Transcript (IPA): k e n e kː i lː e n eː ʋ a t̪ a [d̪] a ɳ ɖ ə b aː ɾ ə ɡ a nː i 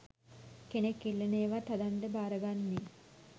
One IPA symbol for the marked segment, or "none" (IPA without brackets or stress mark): d̪